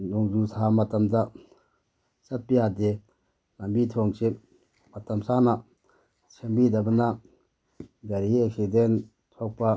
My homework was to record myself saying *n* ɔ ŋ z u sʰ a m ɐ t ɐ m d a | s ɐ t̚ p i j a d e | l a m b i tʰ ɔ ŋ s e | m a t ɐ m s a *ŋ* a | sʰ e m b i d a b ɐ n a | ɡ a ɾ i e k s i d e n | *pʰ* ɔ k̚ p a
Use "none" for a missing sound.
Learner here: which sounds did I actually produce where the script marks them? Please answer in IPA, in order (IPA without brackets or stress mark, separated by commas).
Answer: n, n, tʰ